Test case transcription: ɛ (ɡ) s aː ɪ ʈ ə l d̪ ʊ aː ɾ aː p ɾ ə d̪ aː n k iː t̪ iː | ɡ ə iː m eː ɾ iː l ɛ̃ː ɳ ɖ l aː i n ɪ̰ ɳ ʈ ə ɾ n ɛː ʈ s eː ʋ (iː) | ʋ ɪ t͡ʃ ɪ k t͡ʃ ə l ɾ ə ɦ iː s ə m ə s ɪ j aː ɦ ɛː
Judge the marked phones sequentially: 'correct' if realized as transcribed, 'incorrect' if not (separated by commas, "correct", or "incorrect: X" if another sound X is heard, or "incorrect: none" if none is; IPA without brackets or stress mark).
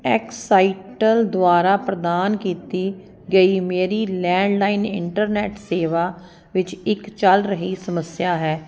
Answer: incorrect: k, incorrect: aː